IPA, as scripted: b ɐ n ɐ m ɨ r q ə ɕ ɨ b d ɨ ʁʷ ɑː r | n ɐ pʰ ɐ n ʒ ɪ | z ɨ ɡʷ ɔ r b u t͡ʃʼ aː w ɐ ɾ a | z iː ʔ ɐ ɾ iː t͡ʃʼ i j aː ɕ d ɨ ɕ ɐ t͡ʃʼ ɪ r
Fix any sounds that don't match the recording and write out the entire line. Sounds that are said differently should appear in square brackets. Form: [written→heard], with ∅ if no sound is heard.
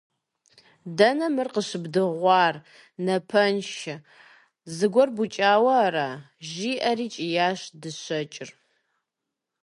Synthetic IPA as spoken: [b→d] ɐ n ɐ m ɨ r q ə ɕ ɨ b d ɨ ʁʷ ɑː r | n ɐ pʰ ɐ n [ʒ→ʃ] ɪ | z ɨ ɡʷ ɔ r b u t͡ʃʼ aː w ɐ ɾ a | [z→ʒ] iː ʔ ɐ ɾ iː t͡ʃʼ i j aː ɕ d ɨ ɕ ɐ t͡ʃʼ ɪ r